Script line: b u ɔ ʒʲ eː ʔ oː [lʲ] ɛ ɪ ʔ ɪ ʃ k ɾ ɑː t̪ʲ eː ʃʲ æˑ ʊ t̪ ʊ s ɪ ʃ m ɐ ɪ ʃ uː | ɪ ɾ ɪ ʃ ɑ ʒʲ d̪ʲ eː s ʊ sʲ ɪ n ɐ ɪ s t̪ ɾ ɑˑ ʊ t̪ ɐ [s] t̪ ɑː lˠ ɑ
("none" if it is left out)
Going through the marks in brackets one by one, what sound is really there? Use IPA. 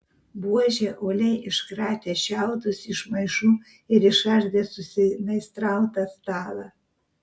lʲ, s

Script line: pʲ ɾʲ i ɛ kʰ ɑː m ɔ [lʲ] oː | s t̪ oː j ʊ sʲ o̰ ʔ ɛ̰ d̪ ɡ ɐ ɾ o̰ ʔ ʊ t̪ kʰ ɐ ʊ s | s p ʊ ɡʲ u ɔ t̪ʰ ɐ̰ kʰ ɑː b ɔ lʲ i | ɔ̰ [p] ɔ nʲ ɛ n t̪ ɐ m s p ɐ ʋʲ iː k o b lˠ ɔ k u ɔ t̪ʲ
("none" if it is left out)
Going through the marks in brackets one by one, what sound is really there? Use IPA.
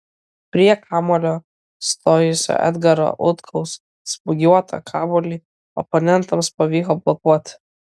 lʲ, p

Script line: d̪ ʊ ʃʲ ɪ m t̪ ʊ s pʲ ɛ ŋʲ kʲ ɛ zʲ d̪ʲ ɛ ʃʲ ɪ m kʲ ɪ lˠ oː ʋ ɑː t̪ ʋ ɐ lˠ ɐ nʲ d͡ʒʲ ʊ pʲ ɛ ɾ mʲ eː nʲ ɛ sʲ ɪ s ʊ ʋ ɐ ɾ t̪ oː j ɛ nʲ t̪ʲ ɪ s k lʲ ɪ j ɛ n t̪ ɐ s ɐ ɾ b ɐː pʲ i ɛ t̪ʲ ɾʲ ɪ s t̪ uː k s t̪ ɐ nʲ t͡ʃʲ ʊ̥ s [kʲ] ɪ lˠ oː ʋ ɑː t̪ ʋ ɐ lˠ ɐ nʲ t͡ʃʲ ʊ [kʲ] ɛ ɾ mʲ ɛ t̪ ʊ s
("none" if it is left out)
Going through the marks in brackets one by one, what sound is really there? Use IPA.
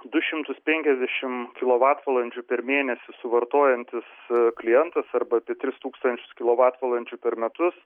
kʲ, pʲ

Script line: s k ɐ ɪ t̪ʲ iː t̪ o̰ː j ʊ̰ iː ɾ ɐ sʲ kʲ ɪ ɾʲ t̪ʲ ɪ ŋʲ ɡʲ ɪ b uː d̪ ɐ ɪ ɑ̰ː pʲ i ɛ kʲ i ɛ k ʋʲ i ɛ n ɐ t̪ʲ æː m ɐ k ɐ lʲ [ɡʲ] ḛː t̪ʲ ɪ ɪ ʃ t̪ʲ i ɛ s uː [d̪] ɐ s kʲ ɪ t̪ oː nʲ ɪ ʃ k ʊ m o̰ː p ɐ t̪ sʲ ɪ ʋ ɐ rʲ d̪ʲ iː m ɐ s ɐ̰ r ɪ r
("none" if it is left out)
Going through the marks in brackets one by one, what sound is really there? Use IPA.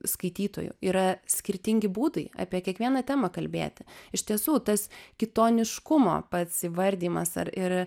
bʲ, t̪

